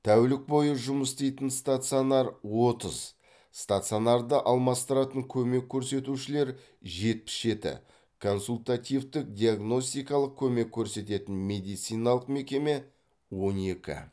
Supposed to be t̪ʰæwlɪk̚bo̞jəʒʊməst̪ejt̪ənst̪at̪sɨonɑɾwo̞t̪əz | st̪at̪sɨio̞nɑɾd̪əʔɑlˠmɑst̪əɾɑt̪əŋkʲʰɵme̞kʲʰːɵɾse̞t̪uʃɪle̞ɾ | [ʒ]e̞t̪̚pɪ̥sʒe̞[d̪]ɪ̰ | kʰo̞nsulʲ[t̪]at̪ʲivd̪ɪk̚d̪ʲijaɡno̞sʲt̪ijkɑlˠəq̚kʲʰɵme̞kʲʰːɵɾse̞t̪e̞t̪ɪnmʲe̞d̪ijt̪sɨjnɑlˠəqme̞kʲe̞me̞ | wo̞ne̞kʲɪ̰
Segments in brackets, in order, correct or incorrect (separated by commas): correct, incorrect, correct